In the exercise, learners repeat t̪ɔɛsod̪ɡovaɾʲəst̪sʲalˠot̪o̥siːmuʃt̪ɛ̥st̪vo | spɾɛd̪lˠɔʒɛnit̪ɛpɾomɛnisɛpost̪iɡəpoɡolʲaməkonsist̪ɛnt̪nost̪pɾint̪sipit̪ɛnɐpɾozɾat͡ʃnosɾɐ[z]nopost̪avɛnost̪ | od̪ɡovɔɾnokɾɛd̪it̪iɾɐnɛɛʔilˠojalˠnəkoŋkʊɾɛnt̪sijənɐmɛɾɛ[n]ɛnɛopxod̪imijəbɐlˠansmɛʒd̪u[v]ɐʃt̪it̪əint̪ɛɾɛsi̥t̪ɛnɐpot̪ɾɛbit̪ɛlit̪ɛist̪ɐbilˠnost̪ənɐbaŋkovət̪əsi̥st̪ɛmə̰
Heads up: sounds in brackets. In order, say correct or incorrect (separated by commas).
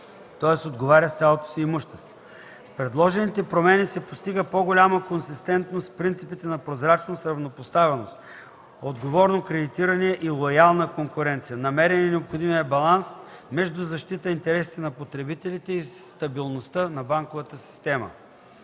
incorrect, correct, incorrect